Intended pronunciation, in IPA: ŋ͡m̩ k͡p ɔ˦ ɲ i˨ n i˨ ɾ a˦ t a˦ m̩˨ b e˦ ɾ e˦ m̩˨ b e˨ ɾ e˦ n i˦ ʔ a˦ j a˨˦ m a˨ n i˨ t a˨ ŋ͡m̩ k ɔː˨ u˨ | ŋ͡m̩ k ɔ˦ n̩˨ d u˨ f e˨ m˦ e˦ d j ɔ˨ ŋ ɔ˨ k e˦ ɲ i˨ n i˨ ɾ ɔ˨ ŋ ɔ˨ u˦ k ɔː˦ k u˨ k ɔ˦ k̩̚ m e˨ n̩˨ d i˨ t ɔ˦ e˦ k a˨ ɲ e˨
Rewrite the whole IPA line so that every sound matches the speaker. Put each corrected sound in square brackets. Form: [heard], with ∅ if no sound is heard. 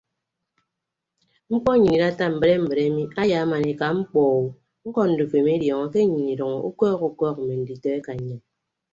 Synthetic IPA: ŋ͡m̩ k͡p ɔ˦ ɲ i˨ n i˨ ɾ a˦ t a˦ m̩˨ b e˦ ɾ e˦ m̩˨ b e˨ ɾ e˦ [m] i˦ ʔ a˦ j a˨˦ m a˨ n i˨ [k] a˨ ŋ͡m̩ [k͡p] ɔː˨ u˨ | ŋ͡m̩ k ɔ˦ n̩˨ d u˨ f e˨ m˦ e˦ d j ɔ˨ ŋ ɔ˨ k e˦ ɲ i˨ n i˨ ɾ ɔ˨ ŋ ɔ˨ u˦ k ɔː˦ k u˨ k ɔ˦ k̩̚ m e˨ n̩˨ d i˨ t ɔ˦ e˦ k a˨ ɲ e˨

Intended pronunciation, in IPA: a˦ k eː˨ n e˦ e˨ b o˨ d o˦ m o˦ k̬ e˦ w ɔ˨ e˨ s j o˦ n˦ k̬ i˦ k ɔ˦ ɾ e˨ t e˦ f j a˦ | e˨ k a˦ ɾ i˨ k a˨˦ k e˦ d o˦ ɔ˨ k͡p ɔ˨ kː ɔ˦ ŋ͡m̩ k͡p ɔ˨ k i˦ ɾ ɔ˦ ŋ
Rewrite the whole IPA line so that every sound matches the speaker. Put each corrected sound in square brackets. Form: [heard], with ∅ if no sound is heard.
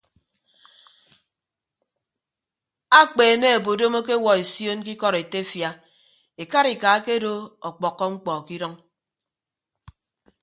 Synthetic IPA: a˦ [k͡p] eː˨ n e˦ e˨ b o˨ d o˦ m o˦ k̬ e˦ w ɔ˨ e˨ s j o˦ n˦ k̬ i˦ k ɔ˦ ɾ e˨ t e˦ f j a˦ | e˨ k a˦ ɾ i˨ k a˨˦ k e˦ d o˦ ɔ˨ k͡p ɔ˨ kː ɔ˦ ŋ͡m̩ k͡p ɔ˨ k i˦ ɾ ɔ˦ ŋ

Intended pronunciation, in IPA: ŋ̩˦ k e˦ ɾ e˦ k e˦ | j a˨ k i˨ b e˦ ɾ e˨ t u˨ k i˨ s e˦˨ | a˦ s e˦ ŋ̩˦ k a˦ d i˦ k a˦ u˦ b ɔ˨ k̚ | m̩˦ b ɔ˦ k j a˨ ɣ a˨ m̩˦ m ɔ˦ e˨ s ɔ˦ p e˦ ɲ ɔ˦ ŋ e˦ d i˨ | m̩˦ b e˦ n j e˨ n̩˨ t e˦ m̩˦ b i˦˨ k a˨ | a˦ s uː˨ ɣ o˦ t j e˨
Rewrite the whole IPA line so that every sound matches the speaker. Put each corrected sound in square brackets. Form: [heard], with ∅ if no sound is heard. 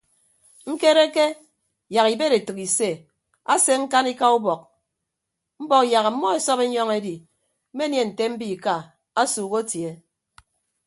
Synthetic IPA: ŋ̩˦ k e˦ ɾ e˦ k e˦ | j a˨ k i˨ b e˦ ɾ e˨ t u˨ k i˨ s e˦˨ | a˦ s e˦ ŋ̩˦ k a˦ [n] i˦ k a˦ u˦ b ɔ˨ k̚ | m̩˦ b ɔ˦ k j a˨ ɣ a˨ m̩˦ m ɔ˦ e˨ s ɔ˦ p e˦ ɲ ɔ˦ ŋ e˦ d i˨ | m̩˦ [m] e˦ n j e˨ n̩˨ t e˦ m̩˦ b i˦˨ k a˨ | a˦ s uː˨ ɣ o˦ t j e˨

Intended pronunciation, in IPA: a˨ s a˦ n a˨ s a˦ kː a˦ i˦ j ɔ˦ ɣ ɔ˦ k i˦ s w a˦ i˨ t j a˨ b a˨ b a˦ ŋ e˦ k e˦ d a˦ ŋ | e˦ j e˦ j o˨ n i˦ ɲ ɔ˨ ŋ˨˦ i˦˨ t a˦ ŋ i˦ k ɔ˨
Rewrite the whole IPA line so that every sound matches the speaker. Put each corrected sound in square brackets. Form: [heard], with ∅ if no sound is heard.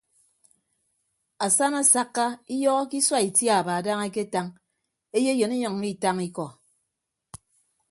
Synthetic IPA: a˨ s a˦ n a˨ s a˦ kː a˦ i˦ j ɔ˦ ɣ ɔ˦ k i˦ s w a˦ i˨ t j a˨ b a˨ [d] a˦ ŋ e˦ k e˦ [t] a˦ ŋ | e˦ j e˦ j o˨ n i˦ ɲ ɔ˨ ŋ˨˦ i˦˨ t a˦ ŋ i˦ k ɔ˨

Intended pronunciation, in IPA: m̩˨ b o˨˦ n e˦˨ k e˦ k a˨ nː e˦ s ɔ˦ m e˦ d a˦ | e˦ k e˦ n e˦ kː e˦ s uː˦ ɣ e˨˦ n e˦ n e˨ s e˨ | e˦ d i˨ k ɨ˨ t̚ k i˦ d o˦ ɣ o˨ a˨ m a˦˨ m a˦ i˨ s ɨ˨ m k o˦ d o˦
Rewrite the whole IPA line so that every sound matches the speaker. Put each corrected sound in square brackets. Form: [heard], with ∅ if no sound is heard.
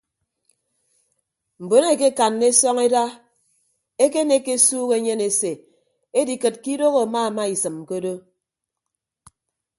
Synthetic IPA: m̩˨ b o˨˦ n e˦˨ k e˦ k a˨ nː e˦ s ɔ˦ [ŋ] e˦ d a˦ | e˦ k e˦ n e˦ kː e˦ s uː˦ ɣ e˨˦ [ɲ] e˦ n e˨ s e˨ | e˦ d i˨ k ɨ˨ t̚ k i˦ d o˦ ɣ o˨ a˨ m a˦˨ m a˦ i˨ s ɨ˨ m k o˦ d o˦

